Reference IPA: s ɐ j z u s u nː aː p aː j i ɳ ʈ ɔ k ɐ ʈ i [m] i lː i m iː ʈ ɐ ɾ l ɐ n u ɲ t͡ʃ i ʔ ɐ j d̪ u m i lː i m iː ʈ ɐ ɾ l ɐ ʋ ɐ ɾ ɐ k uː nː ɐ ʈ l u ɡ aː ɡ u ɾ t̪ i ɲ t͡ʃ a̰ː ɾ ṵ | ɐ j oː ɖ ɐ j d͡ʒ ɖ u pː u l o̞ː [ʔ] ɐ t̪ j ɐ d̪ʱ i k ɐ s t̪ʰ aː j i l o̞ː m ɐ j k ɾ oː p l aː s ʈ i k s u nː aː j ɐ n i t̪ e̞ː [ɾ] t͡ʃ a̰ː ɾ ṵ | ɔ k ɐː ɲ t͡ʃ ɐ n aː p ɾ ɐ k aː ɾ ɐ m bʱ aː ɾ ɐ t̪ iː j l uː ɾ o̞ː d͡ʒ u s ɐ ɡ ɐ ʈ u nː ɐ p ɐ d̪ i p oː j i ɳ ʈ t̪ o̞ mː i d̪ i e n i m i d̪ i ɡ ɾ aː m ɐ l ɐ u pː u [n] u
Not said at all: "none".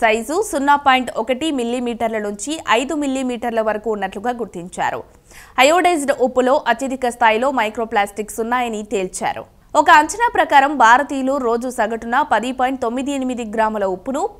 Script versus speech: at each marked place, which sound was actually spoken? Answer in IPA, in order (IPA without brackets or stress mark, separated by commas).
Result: m, ʔ, l, n